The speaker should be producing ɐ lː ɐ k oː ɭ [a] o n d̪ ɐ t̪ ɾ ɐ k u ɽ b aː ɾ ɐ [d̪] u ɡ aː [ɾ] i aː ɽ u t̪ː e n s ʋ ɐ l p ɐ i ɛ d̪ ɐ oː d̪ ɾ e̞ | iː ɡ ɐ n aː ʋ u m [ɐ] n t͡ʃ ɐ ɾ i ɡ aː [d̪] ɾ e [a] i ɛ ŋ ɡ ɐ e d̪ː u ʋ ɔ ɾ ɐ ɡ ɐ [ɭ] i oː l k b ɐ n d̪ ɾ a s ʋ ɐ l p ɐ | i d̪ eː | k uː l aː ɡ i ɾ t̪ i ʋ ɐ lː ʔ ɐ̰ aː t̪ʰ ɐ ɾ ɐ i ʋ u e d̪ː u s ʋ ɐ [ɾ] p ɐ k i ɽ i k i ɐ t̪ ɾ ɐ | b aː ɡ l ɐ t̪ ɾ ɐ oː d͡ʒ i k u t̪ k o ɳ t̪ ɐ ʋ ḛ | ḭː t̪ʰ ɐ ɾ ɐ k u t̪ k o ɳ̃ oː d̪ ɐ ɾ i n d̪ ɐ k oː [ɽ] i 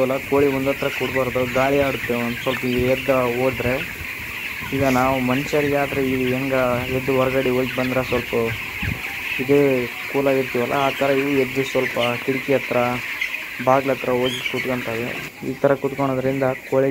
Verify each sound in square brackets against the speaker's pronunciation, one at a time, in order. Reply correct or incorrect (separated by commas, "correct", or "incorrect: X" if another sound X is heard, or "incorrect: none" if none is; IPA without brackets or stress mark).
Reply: incorrect: i, correct, incorrect: ɭ, correct, correct, incorrect: i, incorrect: ɽ, incorrect: l, incorrect: ɭ